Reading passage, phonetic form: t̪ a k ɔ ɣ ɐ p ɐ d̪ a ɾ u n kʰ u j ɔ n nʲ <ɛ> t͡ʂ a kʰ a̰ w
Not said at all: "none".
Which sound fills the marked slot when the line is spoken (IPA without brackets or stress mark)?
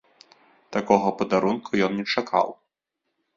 ɛ